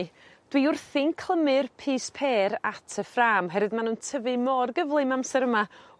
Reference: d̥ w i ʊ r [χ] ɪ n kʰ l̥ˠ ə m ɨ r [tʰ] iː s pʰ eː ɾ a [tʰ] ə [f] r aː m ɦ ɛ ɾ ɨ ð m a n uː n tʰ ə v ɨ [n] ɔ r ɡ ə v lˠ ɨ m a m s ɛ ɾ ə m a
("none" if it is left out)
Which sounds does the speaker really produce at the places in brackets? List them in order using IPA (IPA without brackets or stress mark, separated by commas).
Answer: θ, pʰ, tʰ, f, m